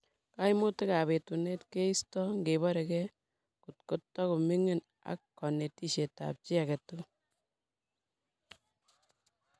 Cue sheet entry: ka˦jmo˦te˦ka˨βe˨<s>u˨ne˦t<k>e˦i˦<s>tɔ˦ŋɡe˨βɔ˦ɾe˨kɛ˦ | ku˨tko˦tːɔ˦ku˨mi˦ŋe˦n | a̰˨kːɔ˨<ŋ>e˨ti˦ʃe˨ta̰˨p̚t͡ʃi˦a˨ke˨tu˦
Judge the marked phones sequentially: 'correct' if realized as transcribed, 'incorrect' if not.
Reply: incorrect: t, correct, correct, incorrect: n

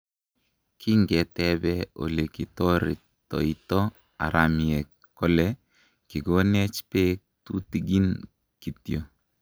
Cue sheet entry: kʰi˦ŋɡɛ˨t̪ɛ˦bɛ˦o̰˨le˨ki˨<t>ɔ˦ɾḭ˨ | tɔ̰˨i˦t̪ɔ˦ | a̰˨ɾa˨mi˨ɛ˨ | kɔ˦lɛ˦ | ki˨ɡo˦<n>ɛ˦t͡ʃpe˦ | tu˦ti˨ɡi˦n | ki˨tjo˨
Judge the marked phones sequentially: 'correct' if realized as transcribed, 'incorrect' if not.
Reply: correct, correct

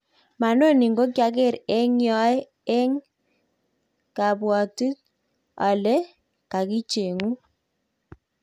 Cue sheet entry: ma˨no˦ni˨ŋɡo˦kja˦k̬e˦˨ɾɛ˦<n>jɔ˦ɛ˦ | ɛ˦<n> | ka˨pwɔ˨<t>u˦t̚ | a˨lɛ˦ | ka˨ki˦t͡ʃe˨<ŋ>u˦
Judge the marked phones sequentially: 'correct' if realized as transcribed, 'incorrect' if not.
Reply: incorrect: ŋ, incorrect: ŋ, correct, correct

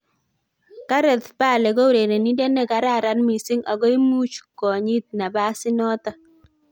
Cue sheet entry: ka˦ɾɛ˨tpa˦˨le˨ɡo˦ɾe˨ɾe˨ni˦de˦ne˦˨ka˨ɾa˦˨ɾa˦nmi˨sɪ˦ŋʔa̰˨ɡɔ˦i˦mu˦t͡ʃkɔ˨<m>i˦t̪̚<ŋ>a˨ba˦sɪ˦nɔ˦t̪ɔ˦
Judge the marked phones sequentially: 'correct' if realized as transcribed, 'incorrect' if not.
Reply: incorrect: ɲ, incorrect: n

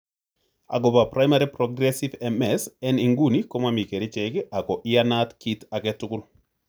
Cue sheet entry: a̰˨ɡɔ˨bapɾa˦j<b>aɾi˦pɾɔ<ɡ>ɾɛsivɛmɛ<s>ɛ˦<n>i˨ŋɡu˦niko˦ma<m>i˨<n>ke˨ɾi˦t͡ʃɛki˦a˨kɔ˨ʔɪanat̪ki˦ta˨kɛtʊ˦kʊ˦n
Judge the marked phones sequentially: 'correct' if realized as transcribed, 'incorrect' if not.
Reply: incorrect: m, correct, correct, correct, correct, incorrect: none

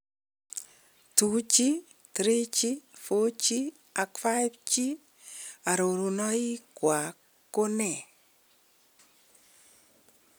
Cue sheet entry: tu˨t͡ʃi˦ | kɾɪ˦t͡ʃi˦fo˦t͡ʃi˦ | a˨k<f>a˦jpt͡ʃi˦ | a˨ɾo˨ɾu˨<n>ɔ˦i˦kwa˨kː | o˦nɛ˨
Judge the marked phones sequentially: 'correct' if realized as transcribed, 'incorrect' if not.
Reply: correct, correct

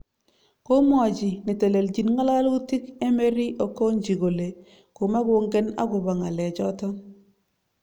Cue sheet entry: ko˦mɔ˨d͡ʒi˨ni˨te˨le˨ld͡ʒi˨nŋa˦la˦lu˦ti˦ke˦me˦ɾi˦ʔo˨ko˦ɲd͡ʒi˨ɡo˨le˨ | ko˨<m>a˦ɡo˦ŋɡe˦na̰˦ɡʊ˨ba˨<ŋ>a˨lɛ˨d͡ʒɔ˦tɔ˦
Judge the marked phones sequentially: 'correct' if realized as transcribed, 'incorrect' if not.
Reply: correct, correct

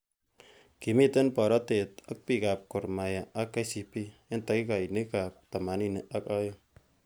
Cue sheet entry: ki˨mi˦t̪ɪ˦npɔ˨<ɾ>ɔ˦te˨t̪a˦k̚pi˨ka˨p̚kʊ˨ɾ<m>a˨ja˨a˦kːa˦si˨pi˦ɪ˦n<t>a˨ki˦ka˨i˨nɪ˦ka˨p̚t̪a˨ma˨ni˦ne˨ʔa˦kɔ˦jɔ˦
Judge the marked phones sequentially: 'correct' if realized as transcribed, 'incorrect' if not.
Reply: correct, correct, correct

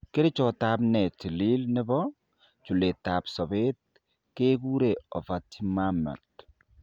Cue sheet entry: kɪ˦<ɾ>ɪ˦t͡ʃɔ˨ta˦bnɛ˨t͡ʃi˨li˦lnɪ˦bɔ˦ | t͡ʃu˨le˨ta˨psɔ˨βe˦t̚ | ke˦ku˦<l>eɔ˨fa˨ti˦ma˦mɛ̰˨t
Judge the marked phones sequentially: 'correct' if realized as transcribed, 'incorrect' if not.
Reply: correct, incorrect: ɾ

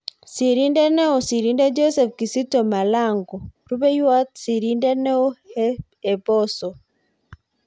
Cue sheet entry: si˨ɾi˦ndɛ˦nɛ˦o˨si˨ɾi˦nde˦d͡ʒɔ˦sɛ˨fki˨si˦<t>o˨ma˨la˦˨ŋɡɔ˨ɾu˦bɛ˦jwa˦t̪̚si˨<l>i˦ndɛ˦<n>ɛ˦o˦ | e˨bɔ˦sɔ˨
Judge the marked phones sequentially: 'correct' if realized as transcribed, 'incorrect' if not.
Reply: correct, incorrect: ɾ, correct

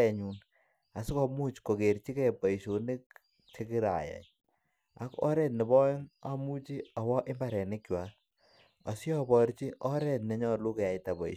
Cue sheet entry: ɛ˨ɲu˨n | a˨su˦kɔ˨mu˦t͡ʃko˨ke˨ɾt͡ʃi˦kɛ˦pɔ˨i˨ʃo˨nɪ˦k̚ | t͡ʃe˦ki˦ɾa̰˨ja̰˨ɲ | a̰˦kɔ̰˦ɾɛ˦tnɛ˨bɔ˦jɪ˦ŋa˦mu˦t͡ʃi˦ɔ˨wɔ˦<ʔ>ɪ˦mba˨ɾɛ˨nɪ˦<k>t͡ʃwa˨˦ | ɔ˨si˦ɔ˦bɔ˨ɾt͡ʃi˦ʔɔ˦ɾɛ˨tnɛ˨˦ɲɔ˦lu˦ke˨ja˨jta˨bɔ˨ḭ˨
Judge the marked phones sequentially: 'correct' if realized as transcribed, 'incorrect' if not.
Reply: correct, correct

